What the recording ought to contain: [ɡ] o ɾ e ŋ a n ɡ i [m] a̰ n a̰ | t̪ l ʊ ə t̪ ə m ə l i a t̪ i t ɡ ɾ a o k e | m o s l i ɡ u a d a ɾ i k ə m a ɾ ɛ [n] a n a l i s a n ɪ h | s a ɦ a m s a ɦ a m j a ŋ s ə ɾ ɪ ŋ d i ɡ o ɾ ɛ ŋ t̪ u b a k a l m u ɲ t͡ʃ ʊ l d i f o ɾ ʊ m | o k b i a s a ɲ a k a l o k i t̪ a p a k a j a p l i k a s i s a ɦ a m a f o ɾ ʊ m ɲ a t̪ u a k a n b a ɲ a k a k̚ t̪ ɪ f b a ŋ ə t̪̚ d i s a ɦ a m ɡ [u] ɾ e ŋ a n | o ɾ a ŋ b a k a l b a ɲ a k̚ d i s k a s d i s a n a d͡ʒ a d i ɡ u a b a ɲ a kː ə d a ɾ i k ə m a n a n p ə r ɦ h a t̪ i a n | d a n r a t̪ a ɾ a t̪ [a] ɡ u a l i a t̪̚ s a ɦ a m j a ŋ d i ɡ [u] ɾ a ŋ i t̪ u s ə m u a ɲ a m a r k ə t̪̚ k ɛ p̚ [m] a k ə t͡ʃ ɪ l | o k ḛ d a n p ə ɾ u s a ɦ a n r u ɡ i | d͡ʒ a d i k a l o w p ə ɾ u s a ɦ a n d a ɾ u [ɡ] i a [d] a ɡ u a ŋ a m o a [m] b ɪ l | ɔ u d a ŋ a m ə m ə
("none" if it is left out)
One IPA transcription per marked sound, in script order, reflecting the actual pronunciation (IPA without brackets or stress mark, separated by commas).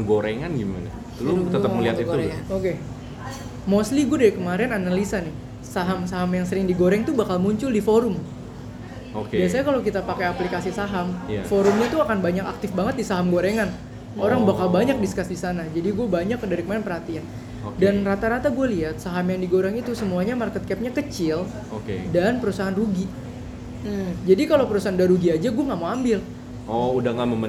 ɡ, m, n, o, a, o, ɲ, ɡ, d͡ʒ, m